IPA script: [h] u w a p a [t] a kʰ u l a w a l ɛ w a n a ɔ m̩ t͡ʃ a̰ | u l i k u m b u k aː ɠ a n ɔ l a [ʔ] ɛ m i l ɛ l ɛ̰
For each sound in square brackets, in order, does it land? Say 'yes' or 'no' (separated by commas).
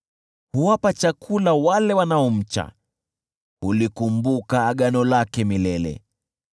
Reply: yes, no, no